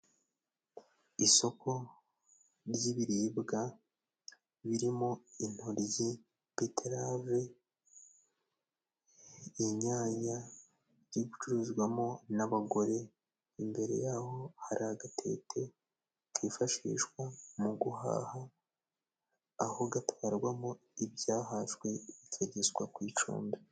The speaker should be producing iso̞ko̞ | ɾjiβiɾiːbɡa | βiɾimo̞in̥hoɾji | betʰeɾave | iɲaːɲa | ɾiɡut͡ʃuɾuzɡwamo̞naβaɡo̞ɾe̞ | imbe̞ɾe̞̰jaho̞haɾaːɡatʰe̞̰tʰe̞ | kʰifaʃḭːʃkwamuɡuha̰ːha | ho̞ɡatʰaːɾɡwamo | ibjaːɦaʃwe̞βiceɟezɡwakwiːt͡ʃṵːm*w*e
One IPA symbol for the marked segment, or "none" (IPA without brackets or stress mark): b